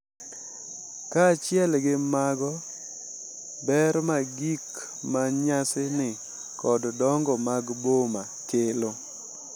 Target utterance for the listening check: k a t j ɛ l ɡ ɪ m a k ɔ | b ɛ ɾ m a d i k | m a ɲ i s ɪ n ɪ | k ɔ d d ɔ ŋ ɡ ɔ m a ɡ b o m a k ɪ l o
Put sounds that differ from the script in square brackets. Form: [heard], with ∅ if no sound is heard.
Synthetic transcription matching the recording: k a [t͡ʃ] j ɛ l ɡ ɪ m a [ɡ] ɔ | b ɛ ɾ m a [ɡ] i k | m a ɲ [a] s ɪ n ɪ | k ɔ d d ɔ ŋ ɡ ɔ m a ɡ b o m a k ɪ l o